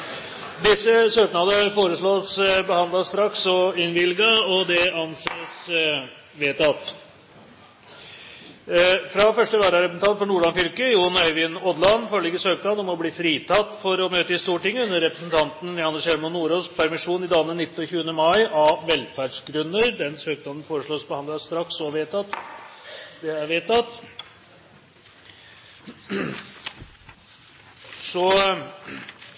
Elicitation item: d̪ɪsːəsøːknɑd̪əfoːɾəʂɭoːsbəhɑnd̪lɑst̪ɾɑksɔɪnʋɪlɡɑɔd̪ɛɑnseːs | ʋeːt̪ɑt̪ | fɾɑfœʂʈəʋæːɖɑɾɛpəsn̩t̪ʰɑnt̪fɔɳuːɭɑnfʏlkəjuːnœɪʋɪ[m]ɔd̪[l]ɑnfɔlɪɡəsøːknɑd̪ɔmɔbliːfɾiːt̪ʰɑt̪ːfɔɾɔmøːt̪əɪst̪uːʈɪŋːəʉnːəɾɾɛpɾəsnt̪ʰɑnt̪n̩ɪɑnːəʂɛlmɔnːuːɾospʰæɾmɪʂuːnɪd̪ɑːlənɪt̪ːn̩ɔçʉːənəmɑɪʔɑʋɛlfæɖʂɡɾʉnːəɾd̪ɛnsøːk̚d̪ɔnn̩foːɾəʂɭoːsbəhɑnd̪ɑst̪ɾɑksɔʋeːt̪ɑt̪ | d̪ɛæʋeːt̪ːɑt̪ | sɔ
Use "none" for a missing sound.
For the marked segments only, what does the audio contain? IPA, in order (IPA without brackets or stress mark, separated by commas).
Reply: n, l